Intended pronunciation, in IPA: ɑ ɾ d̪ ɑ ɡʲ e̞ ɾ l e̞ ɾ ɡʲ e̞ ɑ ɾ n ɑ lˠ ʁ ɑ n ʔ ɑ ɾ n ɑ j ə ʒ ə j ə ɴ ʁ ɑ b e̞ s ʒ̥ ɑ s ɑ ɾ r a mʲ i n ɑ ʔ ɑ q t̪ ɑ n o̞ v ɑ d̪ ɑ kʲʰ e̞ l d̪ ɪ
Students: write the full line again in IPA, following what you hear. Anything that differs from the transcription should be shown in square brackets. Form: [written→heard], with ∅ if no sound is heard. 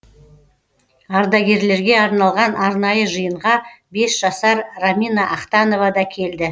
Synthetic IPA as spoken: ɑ ɾ d̪ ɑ ɡʲ e̞ ɾ l e̞ ɾ ɡʲ e̞ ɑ ɾ n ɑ lˠ ʁ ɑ n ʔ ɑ ɾ n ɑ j ə ʒ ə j ə ɴ ʁ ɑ b e̞ s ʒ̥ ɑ s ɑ ɾ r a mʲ i n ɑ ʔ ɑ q t̪ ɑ n o̞ v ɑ d̪ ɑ kʲʰ e̞ l d̪ ɪ